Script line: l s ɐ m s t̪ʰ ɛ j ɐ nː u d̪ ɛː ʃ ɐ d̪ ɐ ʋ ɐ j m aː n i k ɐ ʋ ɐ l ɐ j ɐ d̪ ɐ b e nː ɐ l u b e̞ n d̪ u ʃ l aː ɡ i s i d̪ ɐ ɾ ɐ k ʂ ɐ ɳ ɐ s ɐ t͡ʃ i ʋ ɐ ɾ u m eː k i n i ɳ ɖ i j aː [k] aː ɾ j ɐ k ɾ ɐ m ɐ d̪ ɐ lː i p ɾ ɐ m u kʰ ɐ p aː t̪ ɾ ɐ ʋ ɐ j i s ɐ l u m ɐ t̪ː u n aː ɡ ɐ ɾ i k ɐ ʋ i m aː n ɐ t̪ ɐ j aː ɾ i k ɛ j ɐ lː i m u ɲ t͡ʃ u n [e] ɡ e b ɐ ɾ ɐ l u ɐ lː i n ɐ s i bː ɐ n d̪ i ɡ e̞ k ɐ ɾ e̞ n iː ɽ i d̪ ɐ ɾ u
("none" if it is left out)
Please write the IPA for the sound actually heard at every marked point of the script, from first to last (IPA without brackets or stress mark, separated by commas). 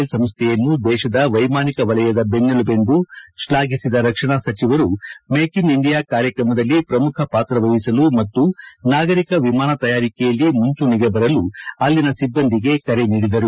k, i